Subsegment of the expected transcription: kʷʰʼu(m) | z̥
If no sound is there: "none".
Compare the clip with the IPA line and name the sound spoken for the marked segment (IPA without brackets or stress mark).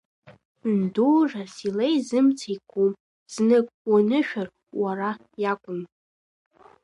m